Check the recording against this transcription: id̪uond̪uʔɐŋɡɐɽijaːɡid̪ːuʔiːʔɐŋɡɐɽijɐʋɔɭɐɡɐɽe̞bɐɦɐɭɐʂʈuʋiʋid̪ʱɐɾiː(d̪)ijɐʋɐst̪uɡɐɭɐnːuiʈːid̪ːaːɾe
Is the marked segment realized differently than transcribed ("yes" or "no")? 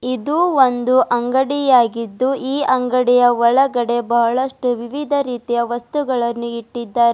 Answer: yes